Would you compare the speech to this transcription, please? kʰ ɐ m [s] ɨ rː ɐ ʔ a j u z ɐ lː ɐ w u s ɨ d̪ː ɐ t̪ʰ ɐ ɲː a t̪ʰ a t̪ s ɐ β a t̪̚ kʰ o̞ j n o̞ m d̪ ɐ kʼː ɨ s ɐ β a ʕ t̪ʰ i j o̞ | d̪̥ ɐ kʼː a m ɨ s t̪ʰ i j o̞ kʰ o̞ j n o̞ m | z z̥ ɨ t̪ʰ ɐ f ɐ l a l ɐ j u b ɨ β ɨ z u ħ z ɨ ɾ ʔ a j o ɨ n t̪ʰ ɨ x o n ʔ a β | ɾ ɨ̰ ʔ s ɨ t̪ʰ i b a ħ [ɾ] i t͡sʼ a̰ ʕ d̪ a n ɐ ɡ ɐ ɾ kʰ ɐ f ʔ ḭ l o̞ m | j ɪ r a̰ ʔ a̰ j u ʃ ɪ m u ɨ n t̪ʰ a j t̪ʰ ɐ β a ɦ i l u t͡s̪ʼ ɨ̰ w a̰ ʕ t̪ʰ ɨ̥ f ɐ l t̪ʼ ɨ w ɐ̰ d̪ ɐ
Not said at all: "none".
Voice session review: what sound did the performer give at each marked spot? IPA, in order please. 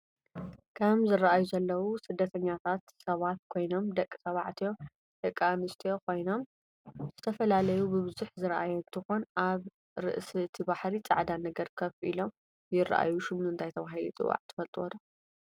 z, ɾ

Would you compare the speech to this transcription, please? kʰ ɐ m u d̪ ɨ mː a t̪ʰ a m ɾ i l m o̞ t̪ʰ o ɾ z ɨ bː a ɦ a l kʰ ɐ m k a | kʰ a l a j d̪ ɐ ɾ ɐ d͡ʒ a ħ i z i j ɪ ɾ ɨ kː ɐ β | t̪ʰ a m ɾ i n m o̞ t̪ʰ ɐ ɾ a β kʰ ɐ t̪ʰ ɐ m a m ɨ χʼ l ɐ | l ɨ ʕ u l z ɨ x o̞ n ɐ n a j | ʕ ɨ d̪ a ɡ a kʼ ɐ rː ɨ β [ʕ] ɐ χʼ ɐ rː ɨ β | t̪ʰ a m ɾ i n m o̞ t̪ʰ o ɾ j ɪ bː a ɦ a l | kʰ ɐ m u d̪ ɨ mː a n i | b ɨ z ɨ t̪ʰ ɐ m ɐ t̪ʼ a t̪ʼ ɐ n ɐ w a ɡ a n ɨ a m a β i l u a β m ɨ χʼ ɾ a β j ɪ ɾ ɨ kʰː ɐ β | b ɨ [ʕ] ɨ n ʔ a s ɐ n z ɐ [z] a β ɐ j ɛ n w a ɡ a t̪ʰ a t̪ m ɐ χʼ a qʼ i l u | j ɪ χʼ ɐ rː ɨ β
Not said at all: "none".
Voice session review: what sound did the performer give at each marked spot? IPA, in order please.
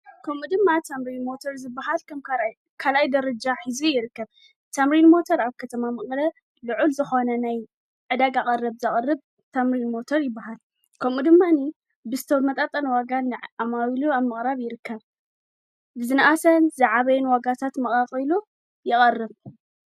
z, z, ʕ

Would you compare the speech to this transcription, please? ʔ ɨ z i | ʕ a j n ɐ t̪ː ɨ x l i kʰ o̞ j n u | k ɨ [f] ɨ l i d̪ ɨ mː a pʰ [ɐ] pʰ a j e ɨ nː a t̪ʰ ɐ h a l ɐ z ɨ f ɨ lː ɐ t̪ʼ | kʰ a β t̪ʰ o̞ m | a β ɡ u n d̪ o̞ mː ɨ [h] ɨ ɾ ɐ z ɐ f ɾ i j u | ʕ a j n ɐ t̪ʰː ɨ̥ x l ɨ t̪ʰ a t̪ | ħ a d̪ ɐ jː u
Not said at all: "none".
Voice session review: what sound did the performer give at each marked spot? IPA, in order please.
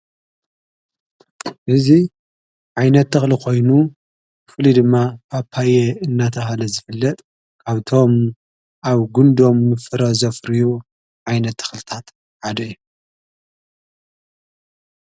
f, a, f

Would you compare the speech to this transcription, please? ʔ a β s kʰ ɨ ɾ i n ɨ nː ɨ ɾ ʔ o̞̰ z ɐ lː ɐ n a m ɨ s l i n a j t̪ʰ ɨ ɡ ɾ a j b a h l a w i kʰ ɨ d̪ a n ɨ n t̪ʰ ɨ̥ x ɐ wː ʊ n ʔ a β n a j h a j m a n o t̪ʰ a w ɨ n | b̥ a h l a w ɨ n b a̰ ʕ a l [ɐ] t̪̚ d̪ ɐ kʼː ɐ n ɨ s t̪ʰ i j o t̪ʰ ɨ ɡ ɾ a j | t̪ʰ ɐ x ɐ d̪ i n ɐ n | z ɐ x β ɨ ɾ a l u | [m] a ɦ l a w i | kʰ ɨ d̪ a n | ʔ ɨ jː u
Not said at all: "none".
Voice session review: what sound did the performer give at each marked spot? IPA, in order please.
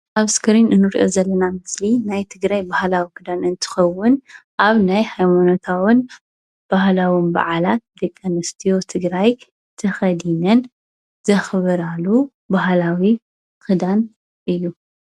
a, b

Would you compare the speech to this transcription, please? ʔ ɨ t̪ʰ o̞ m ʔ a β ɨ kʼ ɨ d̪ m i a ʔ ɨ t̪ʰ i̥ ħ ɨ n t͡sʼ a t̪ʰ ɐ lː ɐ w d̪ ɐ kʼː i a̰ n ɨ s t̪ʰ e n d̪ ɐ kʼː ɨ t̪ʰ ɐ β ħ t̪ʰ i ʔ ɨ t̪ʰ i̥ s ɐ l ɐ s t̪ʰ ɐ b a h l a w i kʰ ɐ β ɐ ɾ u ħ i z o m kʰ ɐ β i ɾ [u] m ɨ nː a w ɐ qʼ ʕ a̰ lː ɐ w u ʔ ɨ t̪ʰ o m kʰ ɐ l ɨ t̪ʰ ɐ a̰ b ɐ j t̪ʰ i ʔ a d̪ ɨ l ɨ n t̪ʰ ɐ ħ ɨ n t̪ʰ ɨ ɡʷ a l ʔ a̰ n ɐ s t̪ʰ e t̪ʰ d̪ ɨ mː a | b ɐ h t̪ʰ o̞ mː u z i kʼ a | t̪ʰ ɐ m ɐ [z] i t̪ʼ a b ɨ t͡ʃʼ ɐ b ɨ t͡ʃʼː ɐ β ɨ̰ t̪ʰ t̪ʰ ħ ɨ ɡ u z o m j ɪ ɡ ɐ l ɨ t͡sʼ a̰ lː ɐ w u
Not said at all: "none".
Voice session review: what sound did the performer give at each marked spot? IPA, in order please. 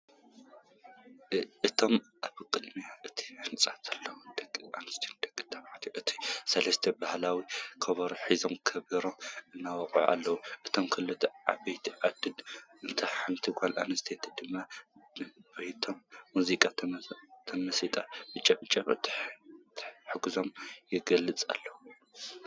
o, s

